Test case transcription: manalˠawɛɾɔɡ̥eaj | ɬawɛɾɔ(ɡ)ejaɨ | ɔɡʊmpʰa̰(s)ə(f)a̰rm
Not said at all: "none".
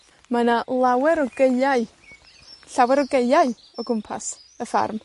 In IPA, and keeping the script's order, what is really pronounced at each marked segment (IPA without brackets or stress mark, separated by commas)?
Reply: ɡ, s, f